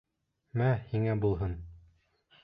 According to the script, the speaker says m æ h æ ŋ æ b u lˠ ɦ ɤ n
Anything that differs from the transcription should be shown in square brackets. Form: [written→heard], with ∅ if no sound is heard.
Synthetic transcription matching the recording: m æ h [æ→i] ŋ æ b u lˠ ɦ ɤ n